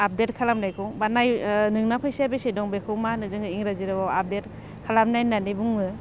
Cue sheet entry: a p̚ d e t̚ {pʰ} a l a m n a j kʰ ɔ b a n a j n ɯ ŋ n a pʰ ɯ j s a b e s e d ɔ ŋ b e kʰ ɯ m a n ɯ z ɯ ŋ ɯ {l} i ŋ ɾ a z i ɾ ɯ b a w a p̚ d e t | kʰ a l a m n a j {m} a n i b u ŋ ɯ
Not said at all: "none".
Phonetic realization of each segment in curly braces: kʰ, none, n

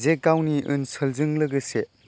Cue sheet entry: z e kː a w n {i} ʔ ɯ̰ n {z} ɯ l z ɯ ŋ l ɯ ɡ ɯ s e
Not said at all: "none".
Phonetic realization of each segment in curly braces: i, s

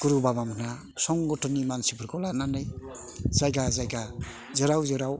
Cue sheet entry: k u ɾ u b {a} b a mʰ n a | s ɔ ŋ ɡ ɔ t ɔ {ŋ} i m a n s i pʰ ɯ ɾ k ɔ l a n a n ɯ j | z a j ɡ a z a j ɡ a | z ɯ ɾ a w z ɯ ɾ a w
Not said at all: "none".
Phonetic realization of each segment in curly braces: a, n

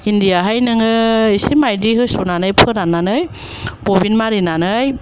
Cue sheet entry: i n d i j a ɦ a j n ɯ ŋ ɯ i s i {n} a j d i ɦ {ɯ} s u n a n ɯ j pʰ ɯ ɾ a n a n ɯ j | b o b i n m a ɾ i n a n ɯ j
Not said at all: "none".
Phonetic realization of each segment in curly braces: m, ɯ

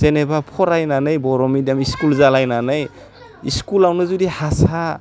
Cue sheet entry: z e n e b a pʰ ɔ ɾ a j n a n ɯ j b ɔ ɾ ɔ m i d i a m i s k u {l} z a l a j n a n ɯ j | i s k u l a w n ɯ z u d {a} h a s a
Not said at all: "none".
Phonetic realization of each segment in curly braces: l, i

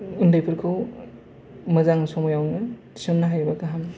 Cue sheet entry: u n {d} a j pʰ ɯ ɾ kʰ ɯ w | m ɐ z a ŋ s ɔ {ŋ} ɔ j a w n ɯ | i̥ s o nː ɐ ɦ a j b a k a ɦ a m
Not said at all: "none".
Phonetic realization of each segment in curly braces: d, m

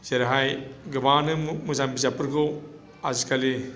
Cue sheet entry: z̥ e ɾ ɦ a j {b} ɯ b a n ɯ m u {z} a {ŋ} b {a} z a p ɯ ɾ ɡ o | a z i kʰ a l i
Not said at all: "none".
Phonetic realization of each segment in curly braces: ɡ, z, m, i

